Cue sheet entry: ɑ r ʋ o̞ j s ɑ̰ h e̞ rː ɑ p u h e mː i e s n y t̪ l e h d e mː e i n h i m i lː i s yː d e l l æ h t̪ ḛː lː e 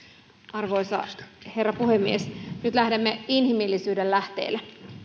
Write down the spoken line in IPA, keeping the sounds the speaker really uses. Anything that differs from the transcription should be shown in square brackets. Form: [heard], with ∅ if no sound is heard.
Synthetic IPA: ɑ r ʋ o̞ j s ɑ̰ h e̞ rː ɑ p u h e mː i e s n y t̪ l [æ] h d e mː e i n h i m i lː i s yː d e l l æ h t̪ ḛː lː e